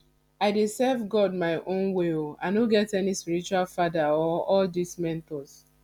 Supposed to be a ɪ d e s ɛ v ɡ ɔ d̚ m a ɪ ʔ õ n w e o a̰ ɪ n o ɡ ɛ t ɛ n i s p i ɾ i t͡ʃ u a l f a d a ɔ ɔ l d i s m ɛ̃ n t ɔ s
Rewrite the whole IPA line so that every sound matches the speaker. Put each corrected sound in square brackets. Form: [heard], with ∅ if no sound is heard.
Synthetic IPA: a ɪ d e s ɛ v ɡ ɔ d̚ m a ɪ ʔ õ n w e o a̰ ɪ n o ɡ ɛ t ɛ n i s p i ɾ i t͡ʃ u a l f a d a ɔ ɔ l d i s m ɛ̃ n t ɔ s